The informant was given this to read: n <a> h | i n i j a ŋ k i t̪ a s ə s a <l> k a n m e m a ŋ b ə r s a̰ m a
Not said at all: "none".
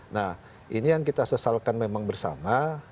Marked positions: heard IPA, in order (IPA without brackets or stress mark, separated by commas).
a, l